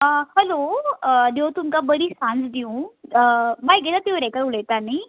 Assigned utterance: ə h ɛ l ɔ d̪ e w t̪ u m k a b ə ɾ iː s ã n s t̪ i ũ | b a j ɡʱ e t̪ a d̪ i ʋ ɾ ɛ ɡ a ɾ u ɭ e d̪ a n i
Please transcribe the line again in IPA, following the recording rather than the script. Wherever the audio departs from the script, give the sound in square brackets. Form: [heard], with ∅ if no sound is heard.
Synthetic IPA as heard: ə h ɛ l [o] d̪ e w t̪ u m k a b ə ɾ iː s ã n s [d̪] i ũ | b a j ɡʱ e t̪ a [t̪] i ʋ ɾ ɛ [k] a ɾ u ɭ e [t̪] a n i